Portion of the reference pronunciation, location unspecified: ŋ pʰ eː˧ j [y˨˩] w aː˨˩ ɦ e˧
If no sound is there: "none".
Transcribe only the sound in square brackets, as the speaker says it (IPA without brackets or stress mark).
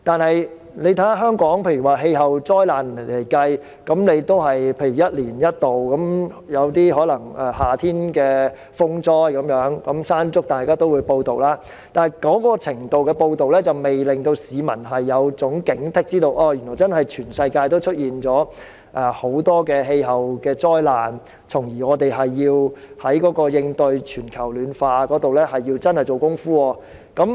y˨˩